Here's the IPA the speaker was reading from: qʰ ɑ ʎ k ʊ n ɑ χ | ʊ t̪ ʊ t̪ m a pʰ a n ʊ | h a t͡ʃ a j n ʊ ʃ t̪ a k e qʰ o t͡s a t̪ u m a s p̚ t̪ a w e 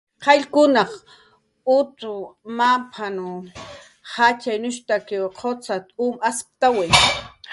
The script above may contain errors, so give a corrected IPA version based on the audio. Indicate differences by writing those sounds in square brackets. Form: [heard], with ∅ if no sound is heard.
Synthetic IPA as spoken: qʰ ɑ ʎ k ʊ n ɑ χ | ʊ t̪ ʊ [∅] m a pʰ a n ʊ | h a t͡ʃ a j n ʊ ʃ t̪ a k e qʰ o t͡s a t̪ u m a s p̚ t̪ a w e